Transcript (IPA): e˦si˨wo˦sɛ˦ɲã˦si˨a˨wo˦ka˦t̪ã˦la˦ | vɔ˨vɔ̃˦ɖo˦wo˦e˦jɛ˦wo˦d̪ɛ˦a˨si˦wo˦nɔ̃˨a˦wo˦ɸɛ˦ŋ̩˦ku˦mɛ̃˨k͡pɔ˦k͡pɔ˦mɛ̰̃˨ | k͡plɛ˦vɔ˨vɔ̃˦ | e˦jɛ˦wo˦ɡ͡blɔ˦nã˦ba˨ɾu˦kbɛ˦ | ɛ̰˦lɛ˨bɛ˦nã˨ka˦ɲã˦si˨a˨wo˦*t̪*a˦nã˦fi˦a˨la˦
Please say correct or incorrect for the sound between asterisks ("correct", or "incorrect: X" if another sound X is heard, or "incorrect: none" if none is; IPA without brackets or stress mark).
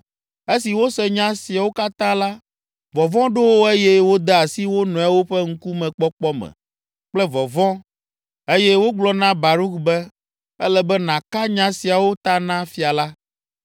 correct